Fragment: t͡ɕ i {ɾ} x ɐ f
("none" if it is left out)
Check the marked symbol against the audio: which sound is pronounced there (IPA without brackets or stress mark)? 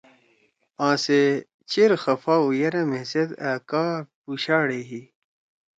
ɾ